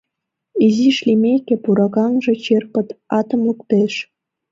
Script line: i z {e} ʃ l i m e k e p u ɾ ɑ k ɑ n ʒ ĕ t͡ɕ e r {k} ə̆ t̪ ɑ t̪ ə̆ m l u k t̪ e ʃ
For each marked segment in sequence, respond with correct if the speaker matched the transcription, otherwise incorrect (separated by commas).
incorrect, incorrect